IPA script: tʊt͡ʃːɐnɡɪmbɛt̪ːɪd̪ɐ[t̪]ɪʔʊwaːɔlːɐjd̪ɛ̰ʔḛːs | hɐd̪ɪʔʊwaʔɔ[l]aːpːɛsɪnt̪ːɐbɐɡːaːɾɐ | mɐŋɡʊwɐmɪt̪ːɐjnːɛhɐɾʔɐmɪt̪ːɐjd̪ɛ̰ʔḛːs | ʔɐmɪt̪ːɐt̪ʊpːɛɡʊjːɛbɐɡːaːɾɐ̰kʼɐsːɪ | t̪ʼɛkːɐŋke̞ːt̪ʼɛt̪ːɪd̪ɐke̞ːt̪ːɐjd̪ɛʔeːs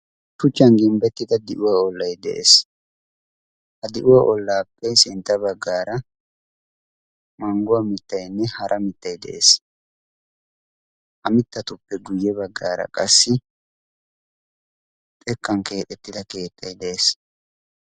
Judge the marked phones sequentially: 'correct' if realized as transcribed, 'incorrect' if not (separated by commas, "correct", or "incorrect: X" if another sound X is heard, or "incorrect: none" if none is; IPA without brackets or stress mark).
incorrect: d̪, incorrect: lː